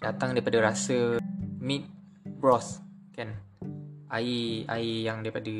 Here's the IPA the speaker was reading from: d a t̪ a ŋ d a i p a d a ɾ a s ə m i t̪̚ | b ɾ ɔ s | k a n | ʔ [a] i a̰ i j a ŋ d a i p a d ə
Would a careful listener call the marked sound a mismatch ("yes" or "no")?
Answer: no